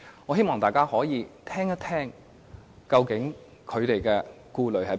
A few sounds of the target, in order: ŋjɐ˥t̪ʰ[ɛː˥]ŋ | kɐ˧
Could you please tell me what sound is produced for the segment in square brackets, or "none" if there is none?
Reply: ɛː˥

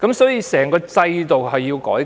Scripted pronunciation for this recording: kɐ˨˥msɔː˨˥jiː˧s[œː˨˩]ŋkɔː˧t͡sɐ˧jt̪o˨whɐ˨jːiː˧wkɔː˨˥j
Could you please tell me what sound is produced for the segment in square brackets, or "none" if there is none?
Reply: ɛː˨˩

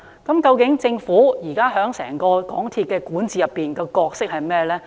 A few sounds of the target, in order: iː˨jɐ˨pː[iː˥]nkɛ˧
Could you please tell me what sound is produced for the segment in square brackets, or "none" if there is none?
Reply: iː˨˩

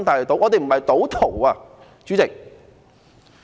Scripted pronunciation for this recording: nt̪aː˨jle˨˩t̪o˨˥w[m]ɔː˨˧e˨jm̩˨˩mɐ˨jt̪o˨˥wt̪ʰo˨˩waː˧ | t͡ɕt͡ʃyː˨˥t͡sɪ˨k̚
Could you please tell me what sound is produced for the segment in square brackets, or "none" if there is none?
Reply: ŋ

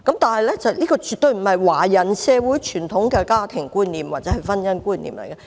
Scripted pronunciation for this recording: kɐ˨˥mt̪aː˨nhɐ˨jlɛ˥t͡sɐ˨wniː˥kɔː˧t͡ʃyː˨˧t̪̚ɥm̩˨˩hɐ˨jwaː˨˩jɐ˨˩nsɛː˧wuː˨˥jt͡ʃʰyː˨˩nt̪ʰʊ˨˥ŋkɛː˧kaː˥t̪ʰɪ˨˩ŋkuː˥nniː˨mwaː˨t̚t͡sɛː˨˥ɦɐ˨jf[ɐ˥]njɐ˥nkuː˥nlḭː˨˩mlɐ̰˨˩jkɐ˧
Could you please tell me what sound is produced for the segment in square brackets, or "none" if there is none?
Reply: ɐ˥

